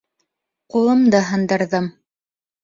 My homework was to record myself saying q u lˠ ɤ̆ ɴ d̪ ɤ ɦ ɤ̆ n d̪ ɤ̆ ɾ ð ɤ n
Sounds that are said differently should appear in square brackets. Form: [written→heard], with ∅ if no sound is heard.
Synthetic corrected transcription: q u lˠ ɤ̆ [ɴ→m] d̪ ɤ ɦ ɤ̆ n d̪ ɤ̆ ɾ ð ɤ [n→m]